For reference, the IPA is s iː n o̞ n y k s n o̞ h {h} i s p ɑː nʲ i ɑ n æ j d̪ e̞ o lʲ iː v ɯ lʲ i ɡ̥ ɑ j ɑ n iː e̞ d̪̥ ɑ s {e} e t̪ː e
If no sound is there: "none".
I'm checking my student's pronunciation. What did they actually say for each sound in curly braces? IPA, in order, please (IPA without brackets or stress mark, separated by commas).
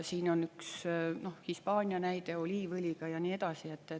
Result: h, i